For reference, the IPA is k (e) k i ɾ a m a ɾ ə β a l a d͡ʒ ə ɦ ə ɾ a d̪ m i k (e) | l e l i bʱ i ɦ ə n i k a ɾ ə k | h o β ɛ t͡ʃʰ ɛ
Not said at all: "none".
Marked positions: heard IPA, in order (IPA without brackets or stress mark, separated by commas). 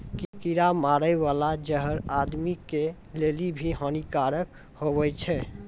i, e